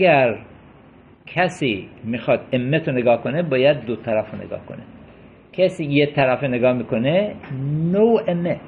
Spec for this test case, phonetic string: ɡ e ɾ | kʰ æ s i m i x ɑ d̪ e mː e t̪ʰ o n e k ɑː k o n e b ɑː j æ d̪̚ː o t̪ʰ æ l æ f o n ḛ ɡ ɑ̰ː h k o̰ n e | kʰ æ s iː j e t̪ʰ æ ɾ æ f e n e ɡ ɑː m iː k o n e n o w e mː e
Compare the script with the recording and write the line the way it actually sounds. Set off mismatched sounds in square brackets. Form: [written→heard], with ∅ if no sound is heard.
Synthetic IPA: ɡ [e→æ] ɾ | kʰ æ s i m i x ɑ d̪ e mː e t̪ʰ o n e [k→ɡ] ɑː k o n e b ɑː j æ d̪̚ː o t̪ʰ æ [l→ɾ] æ f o n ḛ ɡ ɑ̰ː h k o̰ n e | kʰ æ s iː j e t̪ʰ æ ɾ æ f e n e ɡ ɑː m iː k o n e n o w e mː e